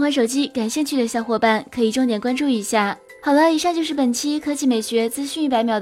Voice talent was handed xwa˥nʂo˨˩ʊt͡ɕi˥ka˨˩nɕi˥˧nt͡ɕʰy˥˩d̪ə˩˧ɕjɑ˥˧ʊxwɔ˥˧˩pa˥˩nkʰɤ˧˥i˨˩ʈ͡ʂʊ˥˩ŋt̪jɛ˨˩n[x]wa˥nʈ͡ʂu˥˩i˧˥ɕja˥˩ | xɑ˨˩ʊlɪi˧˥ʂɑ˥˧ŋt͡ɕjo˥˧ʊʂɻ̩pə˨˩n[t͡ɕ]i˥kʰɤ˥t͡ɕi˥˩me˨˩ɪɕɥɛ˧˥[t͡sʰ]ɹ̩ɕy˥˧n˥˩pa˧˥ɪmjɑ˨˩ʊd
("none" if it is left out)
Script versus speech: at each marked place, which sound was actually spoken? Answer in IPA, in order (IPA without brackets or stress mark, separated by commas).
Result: k, t͡ɕʰ, t͡s